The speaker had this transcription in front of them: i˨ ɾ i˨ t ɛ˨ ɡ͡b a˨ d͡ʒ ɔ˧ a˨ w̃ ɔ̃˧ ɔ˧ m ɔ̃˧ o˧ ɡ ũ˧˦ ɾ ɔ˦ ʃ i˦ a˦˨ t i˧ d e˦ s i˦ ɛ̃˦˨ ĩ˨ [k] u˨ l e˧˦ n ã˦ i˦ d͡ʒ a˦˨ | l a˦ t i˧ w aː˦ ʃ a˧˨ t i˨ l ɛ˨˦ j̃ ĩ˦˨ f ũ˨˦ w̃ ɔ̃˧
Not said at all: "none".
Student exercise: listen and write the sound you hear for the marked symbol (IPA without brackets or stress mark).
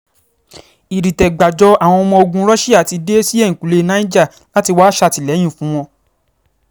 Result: k